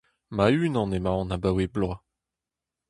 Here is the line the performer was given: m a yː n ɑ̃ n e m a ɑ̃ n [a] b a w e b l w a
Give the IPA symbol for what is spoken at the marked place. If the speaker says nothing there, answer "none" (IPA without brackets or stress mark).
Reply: a